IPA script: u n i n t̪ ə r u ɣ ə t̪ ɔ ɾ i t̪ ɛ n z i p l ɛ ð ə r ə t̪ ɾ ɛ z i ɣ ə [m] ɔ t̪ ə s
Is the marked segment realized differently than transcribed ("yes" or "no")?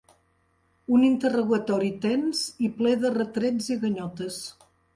yes